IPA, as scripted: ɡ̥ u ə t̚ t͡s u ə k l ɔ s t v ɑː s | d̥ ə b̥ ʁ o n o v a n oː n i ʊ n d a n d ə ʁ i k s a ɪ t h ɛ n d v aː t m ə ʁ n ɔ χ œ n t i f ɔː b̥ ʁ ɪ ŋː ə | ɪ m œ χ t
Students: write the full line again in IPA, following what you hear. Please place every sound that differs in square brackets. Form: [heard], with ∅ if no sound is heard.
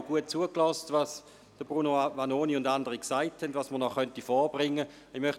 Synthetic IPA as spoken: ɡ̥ u ə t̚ t͡s u ə k l ɔ s t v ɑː s | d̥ ə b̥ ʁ [u] n o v a n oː n i ʊ n d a n d ə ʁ i k s a ɪ t h ɛ n d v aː [s] m ə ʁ n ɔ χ œ n t i f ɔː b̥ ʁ ɪ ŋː ə | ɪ m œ χ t